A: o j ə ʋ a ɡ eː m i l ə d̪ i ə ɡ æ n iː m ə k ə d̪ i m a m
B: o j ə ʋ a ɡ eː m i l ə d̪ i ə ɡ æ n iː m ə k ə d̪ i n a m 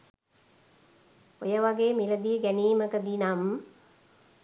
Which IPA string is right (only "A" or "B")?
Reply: B